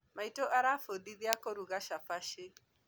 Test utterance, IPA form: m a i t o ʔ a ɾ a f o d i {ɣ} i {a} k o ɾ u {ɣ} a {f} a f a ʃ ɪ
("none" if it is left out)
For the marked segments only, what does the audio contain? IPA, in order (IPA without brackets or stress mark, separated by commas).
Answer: ð, a, ɣ, ʃ